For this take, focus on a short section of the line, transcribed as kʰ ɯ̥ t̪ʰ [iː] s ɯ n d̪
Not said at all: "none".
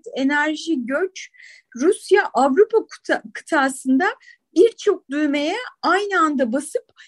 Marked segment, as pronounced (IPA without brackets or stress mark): aː